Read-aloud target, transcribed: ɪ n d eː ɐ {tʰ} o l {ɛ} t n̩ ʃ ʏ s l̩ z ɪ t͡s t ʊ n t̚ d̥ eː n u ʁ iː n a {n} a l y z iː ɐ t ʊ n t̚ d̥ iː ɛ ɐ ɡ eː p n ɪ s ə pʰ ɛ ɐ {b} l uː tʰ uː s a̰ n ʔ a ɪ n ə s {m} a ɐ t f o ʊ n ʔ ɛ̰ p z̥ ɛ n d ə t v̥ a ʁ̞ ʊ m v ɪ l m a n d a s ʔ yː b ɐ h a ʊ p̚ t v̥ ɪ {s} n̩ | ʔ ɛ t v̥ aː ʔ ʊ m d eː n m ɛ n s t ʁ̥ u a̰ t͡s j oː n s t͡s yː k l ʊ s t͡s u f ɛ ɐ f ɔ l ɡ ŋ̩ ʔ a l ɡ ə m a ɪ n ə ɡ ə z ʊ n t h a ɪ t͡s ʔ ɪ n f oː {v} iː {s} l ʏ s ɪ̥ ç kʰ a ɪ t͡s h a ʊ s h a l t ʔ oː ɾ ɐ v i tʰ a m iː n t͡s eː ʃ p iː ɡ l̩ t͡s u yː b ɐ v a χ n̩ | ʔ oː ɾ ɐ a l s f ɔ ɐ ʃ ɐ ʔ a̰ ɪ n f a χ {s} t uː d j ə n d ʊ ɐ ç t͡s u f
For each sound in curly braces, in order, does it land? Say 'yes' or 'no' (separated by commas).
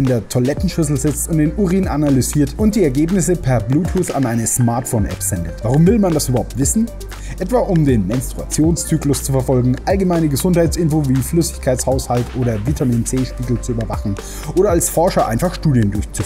yes, yes, yes, yes, yes, yes, yes, no, no